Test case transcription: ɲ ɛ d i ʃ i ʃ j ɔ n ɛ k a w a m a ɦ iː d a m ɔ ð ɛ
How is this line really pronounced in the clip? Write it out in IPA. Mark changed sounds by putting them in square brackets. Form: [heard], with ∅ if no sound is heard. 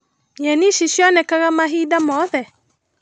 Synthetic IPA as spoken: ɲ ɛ [n] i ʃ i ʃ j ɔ n ɛ k a [ɣ] a m a ɦ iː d a m ɔ ð ɛ